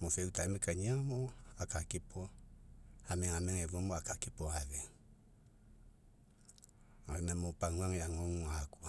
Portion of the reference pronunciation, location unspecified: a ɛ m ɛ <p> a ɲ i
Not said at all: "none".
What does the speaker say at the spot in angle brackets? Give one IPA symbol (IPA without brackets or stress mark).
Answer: k